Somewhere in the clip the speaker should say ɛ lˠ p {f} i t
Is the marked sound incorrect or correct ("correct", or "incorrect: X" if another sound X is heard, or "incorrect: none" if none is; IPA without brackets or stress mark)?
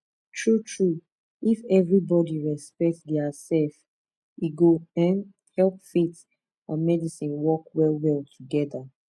correct